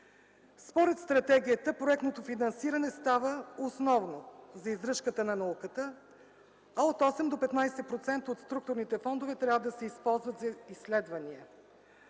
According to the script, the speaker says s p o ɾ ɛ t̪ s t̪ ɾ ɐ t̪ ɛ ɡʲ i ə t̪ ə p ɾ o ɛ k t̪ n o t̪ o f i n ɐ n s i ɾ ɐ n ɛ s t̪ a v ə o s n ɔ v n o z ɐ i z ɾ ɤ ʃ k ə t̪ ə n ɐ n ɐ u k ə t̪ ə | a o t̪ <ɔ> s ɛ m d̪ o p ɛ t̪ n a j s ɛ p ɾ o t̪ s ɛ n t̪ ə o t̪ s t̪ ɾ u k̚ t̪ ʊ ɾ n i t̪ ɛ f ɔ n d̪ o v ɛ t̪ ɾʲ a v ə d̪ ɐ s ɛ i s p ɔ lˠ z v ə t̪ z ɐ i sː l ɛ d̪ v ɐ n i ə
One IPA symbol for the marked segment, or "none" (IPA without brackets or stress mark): ɔ